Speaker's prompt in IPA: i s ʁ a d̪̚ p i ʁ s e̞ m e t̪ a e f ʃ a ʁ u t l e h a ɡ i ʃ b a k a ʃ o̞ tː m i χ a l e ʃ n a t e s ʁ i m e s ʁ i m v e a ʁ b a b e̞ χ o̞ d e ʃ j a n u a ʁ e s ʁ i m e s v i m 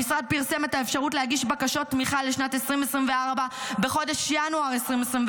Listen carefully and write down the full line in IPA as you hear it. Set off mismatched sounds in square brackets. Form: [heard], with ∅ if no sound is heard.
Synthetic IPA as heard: i s ʁ a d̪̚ p i ʁ s e̞ m e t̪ a e f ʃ a ʁ u t l e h a ɡ i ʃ b a k a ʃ o̞ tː m i χ a l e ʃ n a t e s ʁ i m e s ʁ i m v e a ʁ b a b e̞ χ o̞ d e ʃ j a n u a ʁ e s ʁ i m e s [ʁ] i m